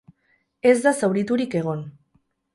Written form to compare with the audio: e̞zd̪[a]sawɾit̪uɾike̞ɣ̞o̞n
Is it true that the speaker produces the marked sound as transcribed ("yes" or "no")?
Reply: yes